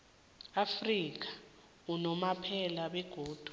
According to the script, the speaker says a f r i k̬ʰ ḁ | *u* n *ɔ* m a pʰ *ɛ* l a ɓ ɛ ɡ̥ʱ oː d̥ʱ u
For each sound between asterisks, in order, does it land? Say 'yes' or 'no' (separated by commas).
yes, yes, yes